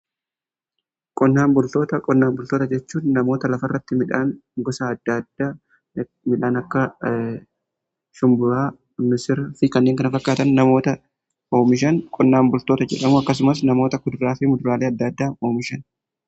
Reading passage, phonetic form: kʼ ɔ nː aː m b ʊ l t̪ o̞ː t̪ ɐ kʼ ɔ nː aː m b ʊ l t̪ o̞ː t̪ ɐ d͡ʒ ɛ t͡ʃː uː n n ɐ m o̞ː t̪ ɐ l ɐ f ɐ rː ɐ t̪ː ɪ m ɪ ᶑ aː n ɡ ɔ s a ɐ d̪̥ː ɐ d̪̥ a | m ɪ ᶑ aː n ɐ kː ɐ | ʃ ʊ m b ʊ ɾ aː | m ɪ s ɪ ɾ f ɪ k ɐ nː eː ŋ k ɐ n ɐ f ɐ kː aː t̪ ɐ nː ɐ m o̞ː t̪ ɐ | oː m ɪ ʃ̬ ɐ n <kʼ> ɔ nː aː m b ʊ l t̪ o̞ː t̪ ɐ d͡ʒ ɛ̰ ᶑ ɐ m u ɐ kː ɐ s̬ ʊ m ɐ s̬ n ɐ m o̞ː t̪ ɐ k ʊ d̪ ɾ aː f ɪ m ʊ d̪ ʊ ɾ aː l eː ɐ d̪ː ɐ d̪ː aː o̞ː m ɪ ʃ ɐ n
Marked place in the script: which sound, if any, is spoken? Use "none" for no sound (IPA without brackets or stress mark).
kʼ